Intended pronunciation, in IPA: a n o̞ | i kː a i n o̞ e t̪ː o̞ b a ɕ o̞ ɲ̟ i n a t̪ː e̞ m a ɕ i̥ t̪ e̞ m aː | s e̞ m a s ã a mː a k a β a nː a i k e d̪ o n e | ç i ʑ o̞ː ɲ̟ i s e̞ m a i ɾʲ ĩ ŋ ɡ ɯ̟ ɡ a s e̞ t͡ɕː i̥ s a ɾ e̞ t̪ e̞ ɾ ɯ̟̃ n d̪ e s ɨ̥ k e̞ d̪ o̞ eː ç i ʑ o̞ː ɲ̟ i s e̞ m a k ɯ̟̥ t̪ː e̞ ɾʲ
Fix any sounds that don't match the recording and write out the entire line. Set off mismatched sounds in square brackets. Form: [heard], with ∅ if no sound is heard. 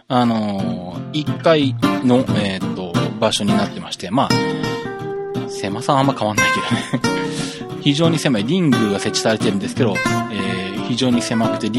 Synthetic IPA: a n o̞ | i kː a i n o̞ e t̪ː o̞ b a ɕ o̞ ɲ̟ i n a t̪ː e̞ m a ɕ i̥ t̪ e̞ m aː | s e̞ m a s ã a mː a k a β a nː a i k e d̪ o n e | ç i ʑ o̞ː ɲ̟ i s e̞ m a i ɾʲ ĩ ŋ ɡ ɯ̟ ɡ a s e̞ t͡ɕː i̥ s a ɾ e̞ t̪ e̞ ɾ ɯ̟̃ n d̪ e s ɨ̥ k e̞ d̪ o̞ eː ç i ʑ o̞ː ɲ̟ i s e̞ m a k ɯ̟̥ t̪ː e̞ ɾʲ